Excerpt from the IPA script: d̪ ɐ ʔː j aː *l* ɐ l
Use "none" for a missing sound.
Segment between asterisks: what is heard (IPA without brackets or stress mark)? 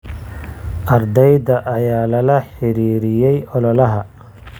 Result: l